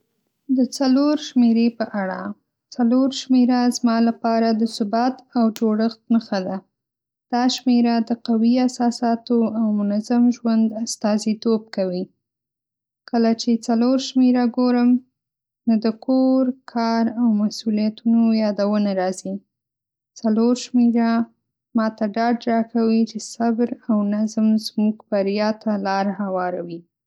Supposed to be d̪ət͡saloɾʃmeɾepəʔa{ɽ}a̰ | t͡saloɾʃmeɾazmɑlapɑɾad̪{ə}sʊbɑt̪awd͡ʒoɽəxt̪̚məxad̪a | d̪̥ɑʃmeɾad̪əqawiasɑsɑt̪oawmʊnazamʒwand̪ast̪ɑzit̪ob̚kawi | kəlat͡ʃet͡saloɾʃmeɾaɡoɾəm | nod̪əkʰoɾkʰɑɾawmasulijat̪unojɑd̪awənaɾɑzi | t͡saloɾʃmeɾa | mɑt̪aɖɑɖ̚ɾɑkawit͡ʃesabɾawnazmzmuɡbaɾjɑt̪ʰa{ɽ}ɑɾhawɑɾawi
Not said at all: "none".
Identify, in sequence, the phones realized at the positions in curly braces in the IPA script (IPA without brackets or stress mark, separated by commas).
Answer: ɽ, ə, l